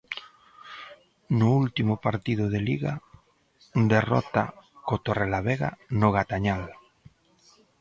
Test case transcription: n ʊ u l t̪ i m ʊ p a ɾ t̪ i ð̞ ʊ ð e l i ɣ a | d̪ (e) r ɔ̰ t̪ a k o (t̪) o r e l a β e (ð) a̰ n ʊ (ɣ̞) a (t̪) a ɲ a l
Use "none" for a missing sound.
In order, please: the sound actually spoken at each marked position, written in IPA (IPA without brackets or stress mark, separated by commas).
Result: e, t̪, ɣ, ɣ̞, t̪